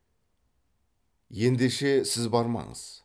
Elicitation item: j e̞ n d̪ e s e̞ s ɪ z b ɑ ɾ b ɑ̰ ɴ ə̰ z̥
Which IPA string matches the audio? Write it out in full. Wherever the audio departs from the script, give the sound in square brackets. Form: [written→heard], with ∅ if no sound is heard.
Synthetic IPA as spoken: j e̞ n d̪ e [s→ʃ] e̞ s ɪ z b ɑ ɾ [b→m] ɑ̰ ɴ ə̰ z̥